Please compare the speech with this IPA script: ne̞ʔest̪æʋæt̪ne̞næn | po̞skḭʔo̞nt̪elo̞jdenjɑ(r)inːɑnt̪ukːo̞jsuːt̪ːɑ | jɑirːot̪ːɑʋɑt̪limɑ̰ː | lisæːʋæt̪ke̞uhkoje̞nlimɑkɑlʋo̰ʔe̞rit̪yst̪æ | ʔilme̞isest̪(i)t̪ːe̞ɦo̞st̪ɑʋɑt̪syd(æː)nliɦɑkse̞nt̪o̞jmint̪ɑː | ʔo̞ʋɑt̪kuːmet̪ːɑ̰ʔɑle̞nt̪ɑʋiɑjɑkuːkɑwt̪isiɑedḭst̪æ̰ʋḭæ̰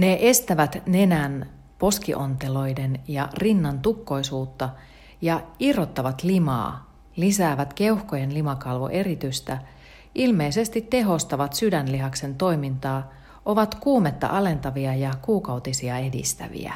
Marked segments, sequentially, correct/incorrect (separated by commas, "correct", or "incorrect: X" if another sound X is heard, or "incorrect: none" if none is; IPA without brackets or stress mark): correct, correct, incorrect: æ